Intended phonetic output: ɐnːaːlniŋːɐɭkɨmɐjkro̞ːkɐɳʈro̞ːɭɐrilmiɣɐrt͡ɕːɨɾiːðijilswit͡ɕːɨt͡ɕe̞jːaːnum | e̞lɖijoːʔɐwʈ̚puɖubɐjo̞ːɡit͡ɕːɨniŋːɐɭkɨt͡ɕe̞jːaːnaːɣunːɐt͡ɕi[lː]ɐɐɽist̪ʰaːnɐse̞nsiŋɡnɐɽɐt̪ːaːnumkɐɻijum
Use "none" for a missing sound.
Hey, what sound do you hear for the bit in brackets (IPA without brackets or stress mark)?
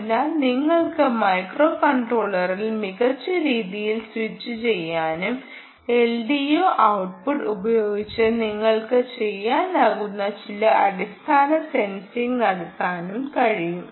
l